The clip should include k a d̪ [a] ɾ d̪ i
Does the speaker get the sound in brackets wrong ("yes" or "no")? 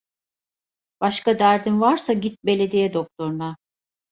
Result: yes